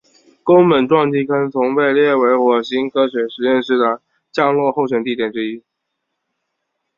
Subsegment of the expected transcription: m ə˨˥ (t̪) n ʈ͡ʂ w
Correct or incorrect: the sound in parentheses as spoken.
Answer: incorrect: none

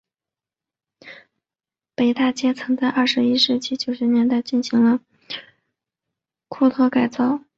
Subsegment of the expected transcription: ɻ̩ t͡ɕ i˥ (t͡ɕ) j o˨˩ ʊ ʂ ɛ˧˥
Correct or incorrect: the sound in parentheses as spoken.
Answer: correct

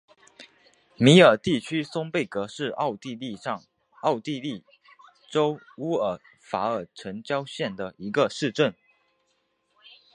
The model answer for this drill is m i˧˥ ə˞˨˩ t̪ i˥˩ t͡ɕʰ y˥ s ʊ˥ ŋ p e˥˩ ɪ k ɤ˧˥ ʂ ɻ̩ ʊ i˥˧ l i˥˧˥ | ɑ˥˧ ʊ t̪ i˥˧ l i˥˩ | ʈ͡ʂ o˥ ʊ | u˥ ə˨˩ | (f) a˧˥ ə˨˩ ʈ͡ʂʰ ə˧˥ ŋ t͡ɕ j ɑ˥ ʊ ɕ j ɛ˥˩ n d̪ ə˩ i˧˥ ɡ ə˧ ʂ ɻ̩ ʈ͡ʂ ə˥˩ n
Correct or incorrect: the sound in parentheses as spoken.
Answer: correct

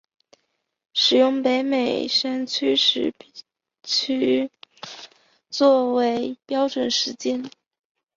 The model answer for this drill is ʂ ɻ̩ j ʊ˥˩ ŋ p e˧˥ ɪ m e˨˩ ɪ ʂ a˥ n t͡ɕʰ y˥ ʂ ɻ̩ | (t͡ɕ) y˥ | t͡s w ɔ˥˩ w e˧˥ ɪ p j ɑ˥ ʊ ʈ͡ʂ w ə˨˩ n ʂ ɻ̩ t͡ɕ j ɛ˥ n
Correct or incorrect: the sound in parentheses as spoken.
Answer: incorrect: t͡ɕʰ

